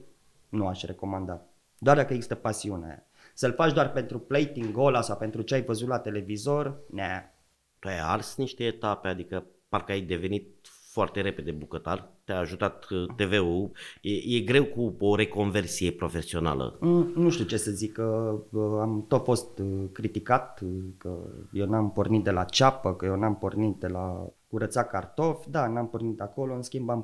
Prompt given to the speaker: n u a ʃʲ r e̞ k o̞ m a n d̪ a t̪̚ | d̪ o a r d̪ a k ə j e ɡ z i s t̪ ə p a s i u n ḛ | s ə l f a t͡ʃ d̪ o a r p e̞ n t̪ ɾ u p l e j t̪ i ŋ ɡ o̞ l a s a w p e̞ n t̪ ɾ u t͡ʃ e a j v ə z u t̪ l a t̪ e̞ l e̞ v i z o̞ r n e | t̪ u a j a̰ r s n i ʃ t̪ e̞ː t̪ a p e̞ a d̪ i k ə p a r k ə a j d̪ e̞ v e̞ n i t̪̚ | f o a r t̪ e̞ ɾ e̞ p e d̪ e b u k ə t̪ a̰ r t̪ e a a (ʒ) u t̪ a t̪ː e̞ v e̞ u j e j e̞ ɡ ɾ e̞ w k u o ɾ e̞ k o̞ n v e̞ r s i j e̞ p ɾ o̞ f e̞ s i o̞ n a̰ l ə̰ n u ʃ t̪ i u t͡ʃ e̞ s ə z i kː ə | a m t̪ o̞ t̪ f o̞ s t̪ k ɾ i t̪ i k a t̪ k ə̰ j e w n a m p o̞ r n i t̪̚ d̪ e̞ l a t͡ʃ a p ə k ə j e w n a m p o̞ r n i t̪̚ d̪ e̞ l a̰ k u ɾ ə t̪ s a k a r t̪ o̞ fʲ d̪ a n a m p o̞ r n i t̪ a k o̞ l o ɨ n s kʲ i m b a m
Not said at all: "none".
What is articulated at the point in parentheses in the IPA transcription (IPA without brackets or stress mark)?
ʒ